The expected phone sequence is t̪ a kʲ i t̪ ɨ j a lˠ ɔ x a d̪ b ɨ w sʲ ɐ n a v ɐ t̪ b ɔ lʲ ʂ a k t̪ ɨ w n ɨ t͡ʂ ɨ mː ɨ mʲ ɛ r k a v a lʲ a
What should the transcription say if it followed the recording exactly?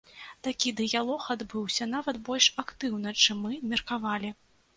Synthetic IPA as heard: t̪ a kʲ i d̪ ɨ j a lˠ ɔ x a d̪ b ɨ w sʲ ɐ n a v ɐ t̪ b ɔ lʲ ʂ a k t̪ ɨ w n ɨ t͡ʂ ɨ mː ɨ mʲ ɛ r k a v a lʲ i